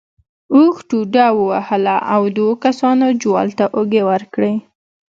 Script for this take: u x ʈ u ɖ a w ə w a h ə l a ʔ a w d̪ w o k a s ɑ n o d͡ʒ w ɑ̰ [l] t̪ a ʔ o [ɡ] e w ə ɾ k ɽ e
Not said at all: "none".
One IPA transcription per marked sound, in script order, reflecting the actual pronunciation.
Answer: l, ɡ

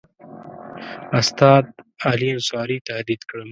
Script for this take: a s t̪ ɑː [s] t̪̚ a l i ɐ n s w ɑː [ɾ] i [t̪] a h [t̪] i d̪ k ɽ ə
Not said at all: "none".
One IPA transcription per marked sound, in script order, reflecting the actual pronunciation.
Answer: none, ɾ, t̪, d̪

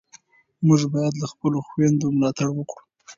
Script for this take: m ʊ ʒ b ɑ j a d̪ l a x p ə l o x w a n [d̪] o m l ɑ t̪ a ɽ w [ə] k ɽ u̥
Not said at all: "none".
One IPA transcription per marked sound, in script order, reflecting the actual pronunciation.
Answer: d̪, ə

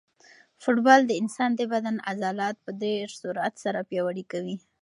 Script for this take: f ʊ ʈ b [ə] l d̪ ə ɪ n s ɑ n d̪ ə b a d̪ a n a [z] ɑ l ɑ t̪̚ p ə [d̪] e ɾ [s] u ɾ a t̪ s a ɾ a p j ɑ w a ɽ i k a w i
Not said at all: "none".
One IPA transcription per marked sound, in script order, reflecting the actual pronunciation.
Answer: ɑ, z, d̪, s

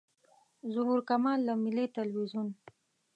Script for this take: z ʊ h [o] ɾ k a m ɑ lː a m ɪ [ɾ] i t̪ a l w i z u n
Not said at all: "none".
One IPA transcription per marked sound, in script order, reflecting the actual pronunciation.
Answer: u, l

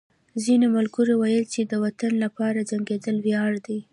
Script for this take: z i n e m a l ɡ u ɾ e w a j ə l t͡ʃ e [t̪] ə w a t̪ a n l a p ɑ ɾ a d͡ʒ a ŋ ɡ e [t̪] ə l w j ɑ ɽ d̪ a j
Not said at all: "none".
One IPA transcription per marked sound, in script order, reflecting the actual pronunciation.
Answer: d̪, d̪

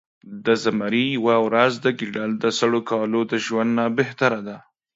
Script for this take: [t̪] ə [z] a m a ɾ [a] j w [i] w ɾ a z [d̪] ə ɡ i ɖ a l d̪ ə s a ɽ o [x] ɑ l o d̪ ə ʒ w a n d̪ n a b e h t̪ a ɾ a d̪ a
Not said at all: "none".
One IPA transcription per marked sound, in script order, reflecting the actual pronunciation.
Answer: d̪, z, i, a, d̪, k

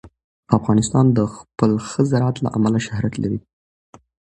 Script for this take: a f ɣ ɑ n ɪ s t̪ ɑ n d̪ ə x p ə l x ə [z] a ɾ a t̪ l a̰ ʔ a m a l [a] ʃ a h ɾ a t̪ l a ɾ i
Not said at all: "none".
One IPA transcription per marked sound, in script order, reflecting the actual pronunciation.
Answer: z, a

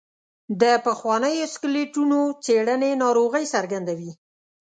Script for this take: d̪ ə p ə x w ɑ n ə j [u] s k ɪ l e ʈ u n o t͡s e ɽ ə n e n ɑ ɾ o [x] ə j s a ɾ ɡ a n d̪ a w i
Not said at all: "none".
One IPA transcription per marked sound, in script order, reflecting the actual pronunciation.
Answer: o, ɣ

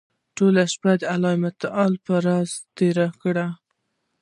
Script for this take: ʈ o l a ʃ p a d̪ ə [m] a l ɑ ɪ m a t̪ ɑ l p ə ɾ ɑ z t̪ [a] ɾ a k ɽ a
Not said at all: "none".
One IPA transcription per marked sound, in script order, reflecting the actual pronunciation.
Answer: none, e

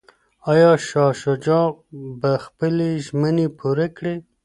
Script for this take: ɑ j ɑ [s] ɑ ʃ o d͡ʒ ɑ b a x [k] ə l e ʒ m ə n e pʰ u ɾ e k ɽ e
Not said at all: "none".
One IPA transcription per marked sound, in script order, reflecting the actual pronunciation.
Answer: ʃ, p

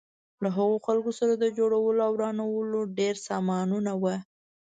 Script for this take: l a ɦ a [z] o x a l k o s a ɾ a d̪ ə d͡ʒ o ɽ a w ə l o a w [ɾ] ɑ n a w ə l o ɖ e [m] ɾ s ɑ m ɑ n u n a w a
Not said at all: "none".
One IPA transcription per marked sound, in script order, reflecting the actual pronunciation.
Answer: ɣ, ɾ, none

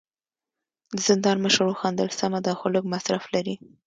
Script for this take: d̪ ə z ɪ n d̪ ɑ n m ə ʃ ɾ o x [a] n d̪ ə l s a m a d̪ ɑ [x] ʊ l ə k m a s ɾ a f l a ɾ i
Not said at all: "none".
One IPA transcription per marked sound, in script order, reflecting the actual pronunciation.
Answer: ɑ, x

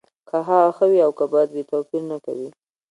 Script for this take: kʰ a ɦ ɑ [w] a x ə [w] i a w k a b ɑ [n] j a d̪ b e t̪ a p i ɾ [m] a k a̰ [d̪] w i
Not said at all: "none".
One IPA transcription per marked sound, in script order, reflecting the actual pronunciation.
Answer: ɣ, w, none, n, none

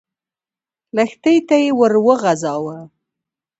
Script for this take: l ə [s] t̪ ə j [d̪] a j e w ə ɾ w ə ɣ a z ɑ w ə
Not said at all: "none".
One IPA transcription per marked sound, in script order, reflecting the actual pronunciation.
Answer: x, t̪

